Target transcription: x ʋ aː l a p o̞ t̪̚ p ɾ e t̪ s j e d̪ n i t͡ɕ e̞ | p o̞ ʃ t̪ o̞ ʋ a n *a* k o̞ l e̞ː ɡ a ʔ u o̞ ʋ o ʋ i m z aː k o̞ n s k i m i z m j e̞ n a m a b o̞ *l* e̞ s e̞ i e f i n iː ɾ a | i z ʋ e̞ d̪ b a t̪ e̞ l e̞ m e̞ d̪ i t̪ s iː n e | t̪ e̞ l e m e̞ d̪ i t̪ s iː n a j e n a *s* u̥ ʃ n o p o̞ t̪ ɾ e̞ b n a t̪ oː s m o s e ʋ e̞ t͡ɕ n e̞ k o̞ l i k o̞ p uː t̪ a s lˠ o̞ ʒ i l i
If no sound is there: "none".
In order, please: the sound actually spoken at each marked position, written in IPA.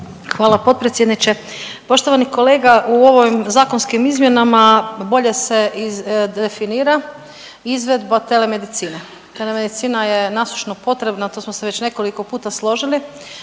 i, ʎ, s

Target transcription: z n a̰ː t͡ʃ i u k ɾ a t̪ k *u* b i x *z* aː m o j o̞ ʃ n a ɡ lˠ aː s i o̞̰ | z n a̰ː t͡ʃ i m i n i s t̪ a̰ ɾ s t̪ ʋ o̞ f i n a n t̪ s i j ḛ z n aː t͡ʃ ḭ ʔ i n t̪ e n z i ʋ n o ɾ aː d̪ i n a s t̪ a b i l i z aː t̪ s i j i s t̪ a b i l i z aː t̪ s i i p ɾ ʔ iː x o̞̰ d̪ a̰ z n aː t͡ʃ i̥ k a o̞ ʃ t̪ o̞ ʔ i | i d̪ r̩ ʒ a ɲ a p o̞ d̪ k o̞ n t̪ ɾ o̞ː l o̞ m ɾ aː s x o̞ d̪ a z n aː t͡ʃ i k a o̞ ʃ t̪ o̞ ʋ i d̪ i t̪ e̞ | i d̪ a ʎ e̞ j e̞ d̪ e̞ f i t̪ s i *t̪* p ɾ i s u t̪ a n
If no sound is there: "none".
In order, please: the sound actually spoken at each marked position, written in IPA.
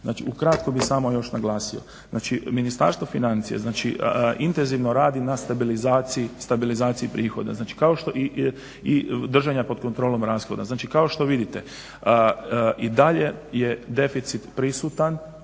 o, s, t̪

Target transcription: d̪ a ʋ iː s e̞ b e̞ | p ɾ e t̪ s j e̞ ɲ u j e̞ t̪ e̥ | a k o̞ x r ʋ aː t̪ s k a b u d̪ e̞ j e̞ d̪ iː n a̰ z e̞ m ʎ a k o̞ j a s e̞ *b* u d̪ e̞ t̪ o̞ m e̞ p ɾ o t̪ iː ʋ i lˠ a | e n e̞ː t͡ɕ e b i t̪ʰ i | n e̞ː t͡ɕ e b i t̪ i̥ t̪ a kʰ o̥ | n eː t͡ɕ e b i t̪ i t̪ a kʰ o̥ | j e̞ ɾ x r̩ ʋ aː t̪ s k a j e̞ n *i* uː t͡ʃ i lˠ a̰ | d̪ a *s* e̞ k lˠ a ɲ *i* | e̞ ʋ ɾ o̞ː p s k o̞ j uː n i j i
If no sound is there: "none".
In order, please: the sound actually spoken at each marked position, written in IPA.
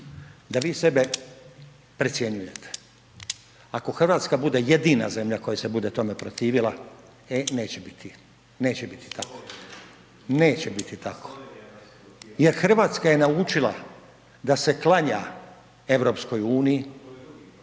b, a, s, a

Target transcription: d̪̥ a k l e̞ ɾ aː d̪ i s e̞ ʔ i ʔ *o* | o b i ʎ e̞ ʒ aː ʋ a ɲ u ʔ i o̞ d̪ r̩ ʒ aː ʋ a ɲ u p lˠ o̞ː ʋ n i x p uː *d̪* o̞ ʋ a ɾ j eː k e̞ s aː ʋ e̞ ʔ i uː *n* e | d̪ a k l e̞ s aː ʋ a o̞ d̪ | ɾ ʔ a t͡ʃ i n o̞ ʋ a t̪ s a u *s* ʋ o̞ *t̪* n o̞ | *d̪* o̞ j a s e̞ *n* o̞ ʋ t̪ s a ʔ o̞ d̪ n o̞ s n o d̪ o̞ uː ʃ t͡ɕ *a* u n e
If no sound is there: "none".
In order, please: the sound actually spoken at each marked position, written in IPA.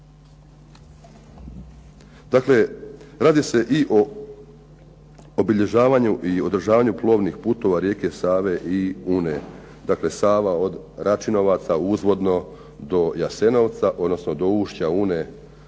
o, t̪, n, z, d̪, d̪, n, a

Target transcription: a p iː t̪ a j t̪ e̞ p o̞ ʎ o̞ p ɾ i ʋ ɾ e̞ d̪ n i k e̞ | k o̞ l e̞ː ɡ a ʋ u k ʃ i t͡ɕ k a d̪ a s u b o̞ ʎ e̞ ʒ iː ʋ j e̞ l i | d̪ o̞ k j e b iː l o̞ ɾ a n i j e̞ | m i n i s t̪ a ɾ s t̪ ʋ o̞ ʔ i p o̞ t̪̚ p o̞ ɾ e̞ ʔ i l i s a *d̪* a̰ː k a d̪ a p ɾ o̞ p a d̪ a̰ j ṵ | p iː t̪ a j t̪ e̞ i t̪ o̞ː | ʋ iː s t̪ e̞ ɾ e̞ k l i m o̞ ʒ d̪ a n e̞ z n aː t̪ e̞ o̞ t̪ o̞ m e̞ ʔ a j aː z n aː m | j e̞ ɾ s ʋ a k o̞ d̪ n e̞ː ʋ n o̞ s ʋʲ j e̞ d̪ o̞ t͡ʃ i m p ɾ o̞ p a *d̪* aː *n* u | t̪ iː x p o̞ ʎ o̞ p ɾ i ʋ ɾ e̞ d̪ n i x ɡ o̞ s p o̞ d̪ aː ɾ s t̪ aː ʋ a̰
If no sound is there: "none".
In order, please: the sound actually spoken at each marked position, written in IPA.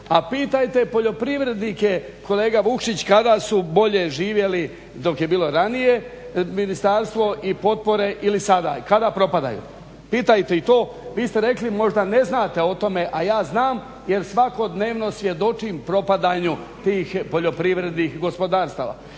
d̪, d̪, ɲ

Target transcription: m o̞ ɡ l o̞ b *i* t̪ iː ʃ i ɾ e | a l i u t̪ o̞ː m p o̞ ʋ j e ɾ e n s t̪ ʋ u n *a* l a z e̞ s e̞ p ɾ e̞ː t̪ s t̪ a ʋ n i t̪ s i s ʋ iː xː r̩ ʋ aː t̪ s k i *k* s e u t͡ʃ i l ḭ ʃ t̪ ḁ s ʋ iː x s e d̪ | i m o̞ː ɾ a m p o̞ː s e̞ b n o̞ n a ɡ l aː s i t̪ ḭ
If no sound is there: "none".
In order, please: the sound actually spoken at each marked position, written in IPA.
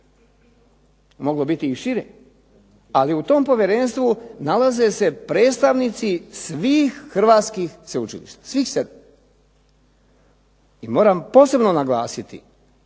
i, a, x

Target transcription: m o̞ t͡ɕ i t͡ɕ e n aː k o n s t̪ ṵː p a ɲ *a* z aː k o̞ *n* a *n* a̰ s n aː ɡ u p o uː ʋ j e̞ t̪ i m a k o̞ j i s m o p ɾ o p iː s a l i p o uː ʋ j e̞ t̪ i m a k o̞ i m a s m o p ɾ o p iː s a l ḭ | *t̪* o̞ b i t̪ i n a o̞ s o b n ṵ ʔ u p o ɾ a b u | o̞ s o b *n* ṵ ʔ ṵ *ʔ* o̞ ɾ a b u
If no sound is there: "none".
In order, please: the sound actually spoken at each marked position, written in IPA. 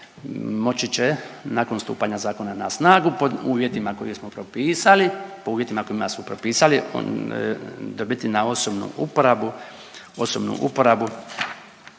a, n, n, d̪, n, p

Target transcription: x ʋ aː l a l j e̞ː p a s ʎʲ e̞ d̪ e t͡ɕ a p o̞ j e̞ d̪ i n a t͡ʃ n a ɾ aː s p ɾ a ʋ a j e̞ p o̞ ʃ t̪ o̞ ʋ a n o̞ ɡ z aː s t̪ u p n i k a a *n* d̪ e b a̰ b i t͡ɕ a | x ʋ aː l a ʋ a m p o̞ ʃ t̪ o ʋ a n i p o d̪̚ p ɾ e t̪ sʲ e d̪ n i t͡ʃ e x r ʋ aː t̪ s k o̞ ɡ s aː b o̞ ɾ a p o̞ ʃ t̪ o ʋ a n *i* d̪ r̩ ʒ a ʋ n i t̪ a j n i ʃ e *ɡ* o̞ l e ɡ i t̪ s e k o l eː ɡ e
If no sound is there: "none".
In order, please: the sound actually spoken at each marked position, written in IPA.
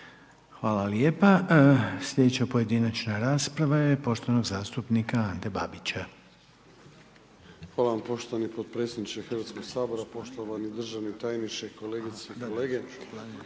n, i, k

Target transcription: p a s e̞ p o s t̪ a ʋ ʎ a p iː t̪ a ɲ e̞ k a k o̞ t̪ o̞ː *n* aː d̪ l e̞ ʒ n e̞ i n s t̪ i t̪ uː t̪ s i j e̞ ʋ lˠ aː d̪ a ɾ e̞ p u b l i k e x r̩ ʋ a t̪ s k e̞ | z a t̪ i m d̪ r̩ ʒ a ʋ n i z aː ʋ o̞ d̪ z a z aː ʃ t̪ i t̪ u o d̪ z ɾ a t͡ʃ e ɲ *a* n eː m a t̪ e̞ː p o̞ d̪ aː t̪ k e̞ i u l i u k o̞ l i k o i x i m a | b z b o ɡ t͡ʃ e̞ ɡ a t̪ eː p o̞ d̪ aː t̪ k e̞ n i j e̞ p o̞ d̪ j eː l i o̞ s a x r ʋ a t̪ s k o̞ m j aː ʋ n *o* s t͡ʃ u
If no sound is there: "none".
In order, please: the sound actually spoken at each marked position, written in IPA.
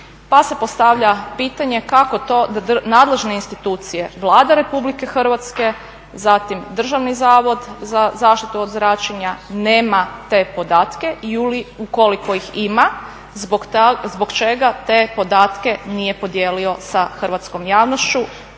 n, a, o

